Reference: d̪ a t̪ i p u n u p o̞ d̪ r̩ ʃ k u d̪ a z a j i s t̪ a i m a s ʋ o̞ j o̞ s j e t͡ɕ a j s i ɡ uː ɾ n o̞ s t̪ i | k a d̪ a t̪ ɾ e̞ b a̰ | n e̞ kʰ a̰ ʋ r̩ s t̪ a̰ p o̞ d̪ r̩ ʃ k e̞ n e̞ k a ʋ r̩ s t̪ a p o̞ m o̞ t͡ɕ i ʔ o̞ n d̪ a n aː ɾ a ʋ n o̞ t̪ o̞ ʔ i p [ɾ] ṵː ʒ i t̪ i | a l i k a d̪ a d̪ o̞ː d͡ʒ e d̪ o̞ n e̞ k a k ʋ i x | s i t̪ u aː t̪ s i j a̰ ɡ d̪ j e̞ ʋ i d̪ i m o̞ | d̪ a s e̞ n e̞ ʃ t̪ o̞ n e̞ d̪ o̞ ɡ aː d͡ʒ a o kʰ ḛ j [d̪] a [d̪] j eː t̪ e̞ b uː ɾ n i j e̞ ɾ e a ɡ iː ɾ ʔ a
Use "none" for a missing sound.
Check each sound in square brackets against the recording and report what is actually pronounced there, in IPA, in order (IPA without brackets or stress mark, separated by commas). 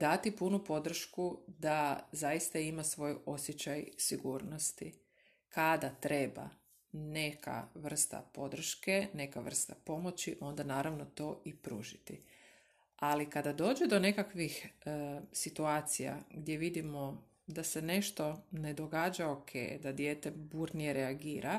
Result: ɾ, d̪, d̪